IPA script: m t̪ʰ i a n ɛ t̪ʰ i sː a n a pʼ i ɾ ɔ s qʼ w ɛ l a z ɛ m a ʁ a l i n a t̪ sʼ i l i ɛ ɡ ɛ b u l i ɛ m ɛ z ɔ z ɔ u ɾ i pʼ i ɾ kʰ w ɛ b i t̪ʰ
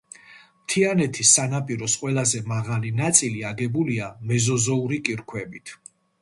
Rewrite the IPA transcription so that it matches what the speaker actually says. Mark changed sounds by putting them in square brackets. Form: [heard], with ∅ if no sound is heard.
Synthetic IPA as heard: m t̪ʰ i a n ɛ t̪ʰ i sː a n a pʼ i ɾ ɔ s qʼ w ɛ l a z ɛ m a ʁ a l i n a t̪ sʼ i l i [a] ɡ ɛ b u l i [a] m ɛ z ɔ z ɔ u ɾ i [kʼ] i ɾ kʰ w ɛ b i t̪ʰ